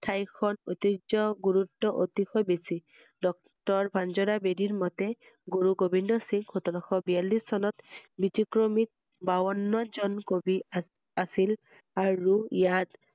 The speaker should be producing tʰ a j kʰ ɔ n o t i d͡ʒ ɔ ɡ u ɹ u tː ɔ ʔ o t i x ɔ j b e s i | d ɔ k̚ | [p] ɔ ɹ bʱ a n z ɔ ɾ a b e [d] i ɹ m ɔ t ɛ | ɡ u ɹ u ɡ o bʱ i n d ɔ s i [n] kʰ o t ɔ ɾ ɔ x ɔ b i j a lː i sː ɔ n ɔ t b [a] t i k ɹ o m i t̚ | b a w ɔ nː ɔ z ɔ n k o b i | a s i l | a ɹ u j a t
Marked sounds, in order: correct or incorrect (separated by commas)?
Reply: incorrect, correct, incorrect, incorrect